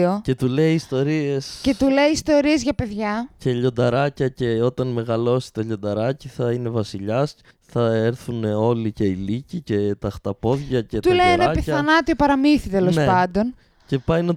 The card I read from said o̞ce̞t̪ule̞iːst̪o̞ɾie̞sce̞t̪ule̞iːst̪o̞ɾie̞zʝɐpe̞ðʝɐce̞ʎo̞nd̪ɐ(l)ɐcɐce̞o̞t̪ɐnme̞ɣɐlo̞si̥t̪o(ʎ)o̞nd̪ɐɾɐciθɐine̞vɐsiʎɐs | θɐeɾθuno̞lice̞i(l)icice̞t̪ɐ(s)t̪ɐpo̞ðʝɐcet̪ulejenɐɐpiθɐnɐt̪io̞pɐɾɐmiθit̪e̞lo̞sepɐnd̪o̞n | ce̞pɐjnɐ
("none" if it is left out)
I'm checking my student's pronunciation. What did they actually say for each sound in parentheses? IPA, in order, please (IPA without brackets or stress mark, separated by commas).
ɾ, ʎ, l, x